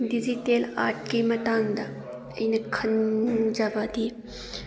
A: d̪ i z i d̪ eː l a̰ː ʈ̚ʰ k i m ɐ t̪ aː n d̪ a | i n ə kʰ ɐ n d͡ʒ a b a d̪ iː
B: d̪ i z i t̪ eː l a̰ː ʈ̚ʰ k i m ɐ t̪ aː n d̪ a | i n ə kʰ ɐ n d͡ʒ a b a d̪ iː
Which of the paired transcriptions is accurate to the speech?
B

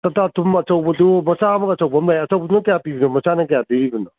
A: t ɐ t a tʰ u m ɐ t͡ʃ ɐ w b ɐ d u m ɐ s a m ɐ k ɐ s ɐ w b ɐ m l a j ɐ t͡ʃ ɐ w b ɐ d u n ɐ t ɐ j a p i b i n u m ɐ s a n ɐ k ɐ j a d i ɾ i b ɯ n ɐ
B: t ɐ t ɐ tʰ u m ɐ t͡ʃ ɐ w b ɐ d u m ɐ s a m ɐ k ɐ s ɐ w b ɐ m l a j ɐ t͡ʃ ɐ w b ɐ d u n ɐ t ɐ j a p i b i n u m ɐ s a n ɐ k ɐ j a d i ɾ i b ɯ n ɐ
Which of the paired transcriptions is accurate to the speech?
A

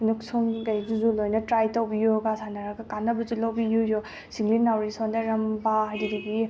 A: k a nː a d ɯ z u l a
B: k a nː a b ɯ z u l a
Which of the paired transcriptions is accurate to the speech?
B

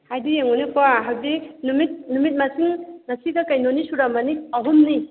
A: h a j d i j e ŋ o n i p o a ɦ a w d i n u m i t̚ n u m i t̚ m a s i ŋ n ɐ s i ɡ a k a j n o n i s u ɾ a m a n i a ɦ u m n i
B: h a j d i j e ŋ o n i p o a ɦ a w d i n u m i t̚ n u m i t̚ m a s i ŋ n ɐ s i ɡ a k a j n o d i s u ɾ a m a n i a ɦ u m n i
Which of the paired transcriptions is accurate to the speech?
A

